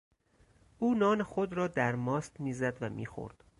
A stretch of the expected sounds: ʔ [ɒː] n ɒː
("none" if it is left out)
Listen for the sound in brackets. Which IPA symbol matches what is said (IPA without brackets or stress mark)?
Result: uː